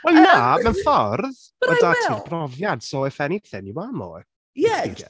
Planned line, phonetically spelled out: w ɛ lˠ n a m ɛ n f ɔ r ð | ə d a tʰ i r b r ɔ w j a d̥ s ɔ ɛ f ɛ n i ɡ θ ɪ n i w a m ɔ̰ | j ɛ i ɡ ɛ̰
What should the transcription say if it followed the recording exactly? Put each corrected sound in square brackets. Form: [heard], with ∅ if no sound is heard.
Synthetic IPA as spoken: w ɛ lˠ n a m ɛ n f ɔ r ð | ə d a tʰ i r b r ɔ [v] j a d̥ s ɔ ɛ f ɛ n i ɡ θ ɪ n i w a m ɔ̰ | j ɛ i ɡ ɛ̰